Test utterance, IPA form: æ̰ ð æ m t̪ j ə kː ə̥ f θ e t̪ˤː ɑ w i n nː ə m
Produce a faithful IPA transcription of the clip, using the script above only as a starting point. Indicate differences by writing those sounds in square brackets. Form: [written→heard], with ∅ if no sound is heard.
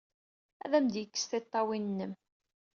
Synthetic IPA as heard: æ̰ ð æ m [t̪→d̪] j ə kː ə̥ [f→s] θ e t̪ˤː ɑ w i n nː ə m